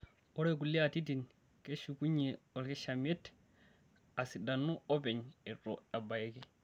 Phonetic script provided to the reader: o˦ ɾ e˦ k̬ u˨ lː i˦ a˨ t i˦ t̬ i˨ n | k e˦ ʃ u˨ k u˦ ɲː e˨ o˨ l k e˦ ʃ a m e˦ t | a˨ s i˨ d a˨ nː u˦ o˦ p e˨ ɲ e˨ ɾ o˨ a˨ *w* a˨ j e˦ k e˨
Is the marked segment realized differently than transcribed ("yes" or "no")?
yes